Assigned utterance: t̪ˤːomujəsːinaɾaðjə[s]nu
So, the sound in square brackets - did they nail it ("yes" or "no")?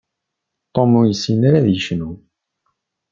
no